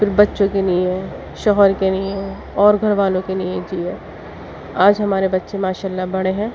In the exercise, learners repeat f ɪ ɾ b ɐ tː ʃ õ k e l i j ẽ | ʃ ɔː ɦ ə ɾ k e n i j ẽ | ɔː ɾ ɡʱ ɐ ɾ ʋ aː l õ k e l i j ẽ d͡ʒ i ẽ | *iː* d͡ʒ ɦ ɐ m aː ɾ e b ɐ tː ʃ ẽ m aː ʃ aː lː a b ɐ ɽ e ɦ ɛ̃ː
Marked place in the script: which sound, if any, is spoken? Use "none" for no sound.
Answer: aː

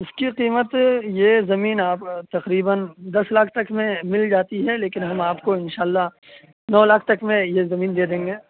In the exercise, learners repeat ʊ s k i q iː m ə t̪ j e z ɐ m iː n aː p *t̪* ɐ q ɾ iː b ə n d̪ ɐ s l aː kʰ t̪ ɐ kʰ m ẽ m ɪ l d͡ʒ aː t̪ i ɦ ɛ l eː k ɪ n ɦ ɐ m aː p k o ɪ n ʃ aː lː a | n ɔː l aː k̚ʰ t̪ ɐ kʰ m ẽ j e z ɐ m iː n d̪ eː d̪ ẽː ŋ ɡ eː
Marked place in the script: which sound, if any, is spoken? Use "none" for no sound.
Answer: t̪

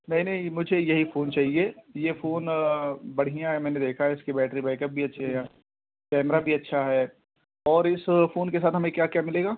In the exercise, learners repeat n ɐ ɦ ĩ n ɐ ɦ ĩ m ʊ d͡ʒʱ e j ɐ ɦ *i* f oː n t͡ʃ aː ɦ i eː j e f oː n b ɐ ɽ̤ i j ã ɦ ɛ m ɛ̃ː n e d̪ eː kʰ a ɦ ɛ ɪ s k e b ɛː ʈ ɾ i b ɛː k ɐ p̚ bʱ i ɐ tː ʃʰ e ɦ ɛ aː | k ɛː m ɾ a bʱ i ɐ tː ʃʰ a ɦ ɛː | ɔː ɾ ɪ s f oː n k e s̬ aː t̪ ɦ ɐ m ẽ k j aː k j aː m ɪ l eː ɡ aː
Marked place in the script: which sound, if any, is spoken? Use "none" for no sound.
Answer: i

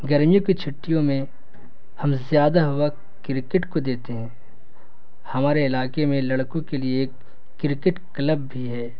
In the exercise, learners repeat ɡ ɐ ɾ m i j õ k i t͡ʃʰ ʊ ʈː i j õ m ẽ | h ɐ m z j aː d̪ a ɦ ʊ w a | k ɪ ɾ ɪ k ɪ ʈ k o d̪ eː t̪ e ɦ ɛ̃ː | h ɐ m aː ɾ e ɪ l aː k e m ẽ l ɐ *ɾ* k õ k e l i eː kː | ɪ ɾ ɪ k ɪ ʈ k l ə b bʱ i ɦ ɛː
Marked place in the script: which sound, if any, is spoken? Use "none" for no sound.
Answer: ɽ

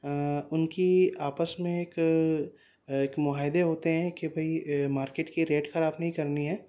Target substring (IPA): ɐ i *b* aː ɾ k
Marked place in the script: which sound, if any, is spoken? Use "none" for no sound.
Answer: m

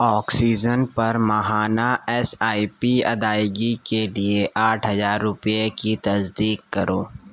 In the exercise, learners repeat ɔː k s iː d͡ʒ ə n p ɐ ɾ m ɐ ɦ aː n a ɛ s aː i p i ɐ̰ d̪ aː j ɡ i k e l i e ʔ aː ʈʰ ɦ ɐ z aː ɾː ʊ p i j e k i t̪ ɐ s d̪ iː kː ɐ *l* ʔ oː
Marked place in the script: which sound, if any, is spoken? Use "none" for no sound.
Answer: ɾ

